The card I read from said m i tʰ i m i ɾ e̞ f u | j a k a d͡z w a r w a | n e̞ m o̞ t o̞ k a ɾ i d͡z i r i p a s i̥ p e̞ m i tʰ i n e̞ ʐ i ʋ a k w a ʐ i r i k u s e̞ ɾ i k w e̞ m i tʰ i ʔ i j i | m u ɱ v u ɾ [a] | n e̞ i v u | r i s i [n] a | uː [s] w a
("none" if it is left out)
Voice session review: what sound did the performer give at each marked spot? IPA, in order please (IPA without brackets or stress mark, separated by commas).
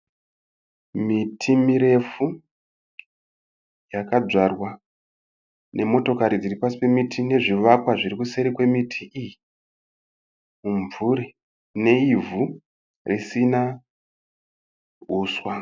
i, n, s